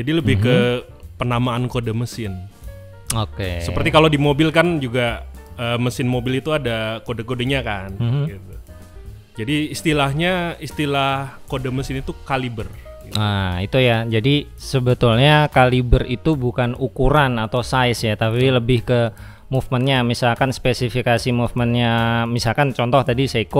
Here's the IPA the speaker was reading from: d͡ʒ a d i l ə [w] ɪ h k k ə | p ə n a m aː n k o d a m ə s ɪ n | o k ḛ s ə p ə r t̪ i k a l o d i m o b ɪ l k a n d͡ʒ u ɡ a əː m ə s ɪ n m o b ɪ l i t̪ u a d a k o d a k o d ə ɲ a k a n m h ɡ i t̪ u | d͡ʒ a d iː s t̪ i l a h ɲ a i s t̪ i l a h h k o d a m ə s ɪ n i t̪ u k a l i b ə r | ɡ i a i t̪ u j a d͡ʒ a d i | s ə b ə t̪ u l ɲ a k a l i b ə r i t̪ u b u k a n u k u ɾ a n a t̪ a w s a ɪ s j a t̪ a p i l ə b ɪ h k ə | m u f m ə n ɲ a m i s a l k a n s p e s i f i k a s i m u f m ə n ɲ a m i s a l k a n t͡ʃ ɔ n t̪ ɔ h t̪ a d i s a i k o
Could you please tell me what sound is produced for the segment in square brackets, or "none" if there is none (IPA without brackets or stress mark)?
b